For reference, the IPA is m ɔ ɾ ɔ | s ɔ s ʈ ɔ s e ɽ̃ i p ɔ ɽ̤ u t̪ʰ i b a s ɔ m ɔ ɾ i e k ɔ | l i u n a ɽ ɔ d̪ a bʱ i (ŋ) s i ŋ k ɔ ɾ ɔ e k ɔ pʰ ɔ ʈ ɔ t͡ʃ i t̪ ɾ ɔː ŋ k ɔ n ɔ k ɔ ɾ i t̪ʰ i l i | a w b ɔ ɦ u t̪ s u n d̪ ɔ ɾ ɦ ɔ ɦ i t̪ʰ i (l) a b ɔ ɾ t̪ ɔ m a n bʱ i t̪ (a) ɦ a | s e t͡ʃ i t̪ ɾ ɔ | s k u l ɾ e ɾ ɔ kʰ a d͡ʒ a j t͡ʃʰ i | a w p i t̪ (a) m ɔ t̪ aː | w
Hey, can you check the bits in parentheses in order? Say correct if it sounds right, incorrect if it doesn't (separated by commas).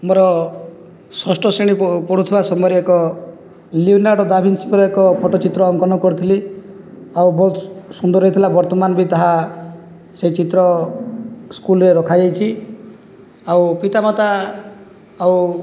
incorrect, correct, correct, correct